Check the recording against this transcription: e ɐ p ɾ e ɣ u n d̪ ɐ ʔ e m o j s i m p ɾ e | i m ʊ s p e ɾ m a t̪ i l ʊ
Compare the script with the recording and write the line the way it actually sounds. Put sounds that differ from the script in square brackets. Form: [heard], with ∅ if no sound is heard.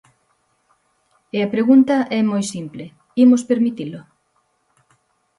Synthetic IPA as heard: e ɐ p ɾ e ɣ u n [t̪] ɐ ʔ [ɛ] m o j s i m p [l] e | i m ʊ s p e ɾ m [i] t̪ i l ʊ